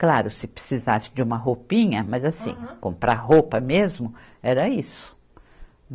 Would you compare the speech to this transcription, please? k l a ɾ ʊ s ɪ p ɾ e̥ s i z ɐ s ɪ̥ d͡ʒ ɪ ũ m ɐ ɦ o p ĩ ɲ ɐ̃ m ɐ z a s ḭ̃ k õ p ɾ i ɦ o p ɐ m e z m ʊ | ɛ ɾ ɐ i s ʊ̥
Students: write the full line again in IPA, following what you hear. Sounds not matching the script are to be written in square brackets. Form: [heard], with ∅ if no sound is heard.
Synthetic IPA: k l a ɾ ʊ s ɪ p ɾ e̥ s i z [a] s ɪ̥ d͡ʒ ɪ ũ m ɐ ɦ o p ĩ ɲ [ɐ] m ɐ z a s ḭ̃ k õ p ɾ [a] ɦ o p ɐ m e z m ʊ | ɛ ɾ ɐ i s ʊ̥